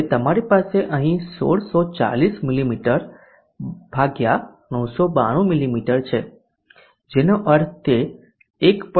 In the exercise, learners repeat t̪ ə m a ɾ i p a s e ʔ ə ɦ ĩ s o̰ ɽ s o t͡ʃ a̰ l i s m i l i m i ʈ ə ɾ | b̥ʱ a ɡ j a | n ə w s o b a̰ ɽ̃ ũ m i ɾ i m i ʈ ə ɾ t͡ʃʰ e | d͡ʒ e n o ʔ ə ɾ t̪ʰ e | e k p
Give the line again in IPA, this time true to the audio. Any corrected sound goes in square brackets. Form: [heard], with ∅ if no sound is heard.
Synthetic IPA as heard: t̪ ə m a ɾ i p a s e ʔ ə ɦ ĩ s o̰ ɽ s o t͡ʃ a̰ l i s m i l i m i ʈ ə ɾ | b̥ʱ a ɡ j a | n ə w s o b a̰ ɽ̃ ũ m i [l] i m i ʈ ə ɾ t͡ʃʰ e | d͡ʒ e n o ʔ ə ɾ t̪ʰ e | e k p

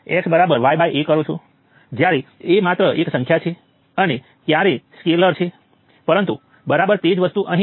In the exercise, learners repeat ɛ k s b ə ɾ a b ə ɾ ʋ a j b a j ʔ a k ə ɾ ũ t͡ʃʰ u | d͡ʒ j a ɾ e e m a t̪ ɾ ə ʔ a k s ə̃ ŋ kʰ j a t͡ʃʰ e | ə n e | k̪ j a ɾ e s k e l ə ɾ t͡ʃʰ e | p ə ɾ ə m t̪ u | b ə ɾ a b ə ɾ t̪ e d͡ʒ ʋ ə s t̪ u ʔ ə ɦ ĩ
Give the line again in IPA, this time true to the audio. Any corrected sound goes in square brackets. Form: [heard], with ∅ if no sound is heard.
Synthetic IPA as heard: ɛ k s b ə ɾ a b ə ɾ ʋ a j b a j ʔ [e] k ə ɾ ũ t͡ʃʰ u | d͡ʒ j a ɾ e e m a t̪ ɾ ə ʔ [e] k s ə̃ ŋ kʰ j a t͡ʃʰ e | ə n e | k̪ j a ɾ e s k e l ə ɾ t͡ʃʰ e | p ə ɾ ə [n] t̪ u | b ə ɾ a b ə ɾ t̪ e d͡ʒ ʋ ə s t̪ u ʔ ə ɦ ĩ

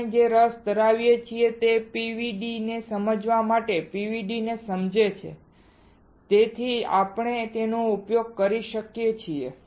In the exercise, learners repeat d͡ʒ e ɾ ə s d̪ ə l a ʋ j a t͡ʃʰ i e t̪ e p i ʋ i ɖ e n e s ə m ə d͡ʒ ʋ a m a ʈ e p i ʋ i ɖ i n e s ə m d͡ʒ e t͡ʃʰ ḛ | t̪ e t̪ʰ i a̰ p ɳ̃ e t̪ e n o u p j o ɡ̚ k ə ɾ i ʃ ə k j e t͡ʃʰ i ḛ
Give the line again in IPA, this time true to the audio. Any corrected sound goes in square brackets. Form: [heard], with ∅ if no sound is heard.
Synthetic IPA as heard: d͡ʒ e ɾ ə s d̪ ə [ɾ] a ʋ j [e] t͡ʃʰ i e t̪ e p i ʋ i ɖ [i] n e s ə m ə d͡ʒ ʋ a m a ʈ e p i ʋ i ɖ i n e s ə m d͡ʒ e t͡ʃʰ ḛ | t̪ e t̪ʰ i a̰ p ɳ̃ e t̪ e n o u p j o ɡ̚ k ə ɾ i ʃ ə k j e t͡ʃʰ i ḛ

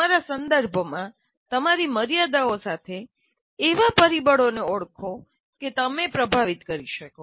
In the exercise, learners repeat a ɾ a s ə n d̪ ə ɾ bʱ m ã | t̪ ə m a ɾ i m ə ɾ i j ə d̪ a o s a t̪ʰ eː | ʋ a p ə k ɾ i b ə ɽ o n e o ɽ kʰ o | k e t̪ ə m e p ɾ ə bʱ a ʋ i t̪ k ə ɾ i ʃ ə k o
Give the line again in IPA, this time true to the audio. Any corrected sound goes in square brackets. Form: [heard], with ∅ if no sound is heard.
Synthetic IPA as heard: a ɾ a s ə n d̪ ə ɾ bʱ m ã | t̪ ə m a ɾ i m ə ɾ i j [a] d̪ a o s a t̪ʰ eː | ʋ a p ə [∅] ɾ i b ə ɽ o n e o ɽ kʰ o | k e t̪ ə m e p ɾ ə bʱ a ʋ i t̪ k ə ɾ i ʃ ə k o

